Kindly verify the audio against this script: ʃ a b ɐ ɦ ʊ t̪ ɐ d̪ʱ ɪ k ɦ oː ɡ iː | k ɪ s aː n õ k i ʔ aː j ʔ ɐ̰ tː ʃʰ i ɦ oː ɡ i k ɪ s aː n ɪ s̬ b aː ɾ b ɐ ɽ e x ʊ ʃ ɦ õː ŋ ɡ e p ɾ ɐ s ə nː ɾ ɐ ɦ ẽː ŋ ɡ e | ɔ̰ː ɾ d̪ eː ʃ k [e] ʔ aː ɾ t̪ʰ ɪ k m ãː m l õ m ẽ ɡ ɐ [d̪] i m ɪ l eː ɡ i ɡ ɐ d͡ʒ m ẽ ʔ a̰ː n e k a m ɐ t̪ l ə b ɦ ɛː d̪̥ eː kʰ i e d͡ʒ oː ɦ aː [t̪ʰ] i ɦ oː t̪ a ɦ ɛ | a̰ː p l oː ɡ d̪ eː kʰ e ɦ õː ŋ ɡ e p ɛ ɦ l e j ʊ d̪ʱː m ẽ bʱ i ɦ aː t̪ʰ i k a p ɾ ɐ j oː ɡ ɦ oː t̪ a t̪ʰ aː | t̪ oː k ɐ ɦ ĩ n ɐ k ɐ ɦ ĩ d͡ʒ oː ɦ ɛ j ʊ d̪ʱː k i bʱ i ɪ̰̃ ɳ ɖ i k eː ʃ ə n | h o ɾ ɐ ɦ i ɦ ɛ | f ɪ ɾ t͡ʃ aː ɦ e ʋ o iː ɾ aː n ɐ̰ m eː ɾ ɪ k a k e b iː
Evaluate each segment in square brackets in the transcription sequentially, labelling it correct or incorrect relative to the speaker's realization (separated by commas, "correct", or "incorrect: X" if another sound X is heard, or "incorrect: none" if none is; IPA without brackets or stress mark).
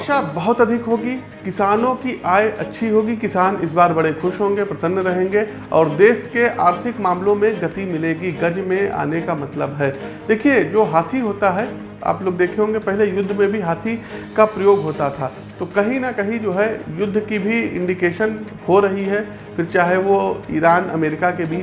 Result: correct, incorrect: t̪, correct